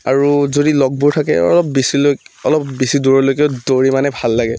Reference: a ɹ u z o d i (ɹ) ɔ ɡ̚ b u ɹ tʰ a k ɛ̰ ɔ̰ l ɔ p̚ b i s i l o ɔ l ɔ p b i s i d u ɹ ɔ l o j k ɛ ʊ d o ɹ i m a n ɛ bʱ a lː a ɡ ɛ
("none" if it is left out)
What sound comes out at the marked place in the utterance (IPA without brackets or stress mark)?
l